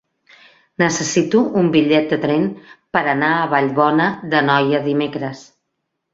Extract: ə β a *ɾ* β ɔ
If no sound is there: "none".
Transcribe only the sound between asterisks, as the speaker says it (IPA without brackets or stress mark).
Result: ʎ